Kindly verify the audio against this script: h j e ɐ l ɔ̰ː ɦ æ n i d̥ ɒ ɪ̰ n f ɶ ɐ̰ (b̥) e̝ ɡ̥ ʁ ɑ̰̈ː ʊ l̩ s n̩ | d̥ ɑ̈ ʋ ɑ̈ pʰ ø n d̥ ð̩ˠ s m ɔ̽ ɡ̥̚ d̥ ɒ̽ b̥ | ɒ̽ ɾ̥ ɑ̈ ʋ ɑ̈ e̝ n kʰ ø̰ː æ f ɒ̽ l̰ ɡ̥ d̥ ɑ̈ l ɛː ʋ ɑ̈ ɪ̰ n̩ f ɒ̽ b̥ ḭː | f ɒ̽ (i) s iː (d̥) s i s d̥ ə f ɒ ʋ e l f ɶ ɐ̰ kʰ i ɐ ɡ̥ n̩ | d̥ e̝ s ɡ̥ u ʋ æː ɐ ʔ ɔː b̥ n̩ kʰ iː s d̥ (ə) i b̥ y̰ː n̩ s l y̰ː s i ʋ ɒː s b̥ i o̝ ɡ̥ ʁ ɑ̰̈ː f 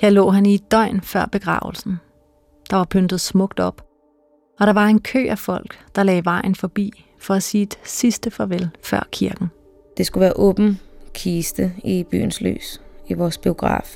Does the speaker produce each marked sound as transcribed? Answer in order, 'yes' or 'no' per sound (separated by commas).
yes, no, yes, yes